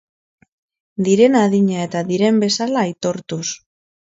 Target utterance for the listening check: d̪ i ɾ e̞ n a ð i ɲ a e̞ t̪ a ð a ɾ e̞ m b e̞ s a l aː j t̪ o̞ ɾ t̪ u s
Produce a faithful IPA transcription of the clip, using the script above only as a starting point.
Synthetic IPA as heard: d̪ i ɾ e̞ n a ð i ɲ a e̞ t̪ a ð i ɾ e̞ m b e̞ s a l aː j t̪ o̞ ɾ t̪ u s